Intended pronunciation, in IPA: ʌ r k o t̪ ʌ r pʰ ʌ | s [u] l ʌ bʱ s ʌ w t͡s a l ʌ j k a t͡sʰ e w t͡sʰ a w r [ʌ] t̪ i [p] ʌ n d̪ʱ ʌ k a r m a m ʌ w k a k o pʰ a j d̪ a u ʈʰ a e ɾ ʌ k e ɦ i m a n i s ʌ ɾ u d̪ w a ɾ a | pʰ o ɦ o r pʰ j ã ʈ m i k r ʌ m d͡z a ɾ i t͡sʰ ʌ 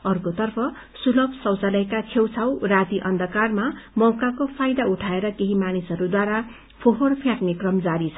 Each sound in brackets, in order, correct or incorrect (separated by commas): correct, incorrect, incorrect